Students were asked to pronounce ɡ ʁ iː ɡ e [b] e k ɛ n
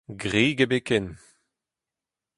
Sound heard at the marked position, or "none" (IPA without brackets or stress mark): b